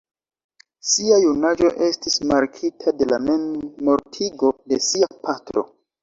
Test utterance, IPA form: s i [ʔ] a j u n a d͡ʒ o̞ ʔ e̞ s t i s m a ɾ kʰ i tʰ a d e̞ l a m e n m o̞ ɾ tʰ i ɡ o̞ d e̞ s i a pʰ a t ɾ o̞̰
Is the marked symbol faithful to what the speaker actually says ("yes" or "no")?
no